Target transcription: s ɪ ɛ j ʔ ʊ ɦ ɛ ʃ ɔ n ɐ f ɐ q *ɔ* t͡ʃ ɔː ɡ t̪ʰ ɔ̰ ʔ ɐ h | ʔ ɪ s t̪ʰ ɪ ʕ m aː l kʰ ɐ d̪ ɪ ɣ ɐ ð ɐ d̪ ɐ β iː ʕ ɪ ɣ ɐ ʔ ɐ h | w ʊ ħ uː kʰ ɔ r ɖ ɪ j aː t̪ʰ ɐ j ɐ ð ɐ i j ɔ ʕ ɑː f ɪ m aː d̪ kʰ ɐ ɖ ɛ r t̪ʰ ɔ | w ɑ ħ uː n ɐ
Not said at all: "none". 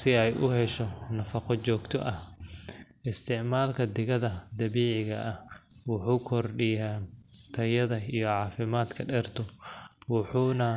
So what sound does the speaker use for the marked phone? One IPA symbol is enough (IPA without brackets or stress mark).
ɔ